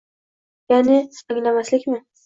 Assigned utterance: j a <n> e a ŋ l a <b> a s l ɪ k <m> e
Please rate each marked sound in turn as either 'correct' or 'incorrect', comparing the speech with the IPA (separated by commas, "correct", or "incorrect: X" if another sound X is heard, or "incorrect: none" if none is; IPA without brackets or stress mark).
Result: correct, incorrect: m, correct